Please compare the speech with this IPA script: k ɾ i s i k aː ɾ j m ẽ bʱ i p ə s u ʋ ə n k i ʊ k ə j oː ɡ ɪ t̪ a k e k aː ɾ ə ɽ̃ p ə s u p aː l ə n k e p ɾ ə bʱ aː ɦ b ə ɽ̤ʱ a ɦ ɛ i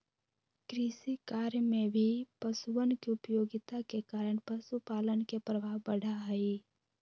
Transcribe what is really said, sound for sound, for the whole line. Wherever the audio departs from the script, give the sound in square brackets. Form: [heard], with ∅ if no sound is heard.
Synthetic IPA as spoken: k ɾ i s i k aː ɾ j m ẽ bʱ i p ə s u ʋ ə n k i ʊ [p] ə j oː ɡ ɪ t̪ a k e k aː ɾ ə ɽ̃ p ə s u p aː l ə n k e p ɾ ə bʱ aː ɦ b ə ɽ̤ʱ a ɦ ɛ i